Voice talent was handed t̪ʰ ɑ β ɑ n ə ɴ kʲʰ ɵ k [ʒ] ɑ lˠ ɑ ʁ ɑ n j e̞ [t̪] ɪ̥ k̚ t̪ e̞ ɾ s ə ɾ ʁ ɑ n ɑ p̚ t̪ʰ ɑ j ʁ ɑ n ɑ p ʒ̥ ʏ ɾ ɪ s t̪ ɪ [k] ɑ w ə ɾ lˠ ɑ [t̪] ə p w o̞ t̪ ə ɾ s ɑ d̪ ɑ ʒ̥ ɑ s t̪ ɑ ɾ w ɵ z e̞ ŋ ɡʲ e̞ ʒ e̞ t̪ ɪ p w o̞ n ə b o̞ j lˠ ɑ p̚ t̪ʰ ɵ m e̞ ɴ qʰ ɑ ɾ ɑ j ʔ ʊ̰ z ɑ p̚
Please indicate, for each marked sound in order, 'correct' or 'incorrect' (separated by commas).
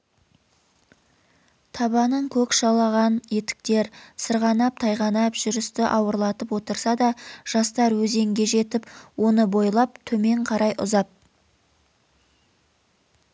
incorrect, correct, incorrect, correct